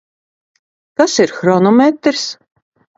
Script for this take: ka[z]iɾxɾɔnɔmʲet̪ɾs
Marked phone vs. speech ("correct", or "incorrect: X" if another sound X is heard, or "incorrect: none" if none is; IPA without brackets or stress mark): incorrect: s